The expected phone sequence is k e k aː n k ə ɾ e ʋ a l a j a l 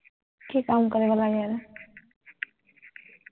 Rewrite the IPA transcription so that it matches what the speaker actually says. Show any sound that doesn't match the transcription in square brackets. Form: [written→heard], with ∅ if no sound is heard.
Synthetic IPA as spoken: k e k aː [n→m] k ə ɾ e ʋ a l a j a [l→ɾ]